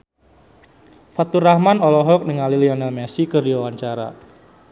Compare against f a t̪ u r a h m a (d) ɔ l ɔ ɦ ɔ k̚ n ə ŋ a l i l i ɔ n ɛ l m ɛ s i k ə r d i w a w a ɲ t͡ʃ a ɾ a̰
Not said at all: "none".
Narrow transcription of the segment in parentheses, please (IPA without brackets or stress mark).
n